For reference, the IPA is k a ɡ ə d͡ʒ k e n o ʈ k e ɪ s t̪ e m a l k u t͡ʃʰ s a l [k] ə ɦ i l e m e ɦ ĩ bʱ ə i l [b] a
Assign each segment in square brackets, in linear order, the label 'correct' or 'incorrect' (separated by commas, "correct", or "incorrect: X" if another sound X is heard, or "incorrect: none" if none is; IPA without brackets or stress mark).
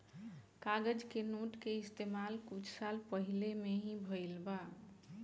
incorrect: p, correct